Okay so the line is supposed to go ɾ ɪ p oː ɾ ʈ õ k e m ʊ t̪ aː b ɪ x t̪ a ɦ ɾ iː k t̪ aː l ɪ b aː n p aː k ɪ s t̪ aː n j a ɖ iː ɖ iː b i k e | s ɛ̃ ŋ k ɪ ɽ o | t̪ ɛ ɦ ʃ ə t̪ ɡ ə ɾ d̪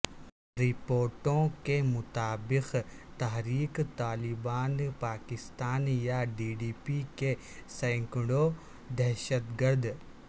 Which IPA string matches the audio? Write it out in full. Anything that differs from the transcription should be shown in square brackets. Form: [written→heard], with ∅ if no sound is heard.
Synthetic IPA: ɾ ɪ p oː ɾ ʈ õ k e m ʊ t̪ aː b ɪ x t̪ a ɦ ɾ iː k t̪ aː l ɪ b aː n p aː k ɪ s t̪ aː n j a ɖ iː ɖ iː [b→p] i k e | s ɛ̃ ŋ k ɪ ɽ o | [t̪→d̪] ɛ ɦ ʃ ə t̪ ɡ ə ɾ d̪